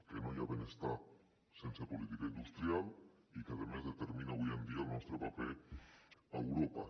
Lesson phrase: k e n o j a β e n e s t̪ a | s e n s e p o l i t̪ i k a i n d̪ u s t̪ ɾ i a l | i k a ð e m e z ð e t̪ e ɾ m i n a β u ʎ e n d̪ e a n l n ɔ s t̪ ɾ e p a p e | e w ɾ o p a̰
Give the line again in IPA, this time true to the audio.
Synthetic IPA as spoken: k e n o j a β e n e s t̪ a | s e n s e p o l i t̪ i k a i n d̪ u s t̪ ɾ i a l | i k a ð e m e z ð e t̪ e ɾ m i n a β u j e n d̪ i a l n ɔ s t̪ ɾ e p a p e | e w ɾ o p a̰